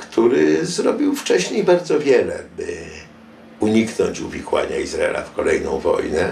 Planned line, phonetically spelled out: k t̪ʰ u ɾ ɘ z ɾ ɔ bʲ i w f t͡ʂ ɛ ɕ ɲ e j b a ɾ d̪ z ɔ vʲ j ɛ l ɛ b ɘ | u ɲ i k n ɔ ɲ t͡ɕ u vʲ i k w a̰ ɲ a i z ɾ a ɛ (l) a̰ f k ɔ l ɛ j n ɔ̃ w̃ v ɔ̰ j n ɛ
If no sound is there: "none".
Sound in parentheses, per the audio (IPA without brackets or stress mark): l